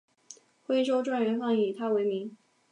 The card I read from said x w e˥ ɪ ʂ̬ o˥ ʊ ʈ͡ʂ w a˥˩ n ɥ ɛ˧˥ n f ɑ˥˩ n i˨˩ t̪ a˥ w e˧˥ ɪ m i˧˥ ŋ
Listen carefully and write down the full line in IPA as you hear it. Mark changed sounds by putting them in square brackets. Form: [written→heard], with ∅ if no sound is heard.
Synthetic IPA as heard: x w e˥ ɪ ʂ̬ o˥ ʊ ʈ͡ʂ w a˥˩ n ɥ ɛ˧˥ n f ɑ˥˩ [n→ŋ] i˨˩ [t̪→t̪ʰ] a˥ w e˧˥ ɪ m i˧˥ ŋ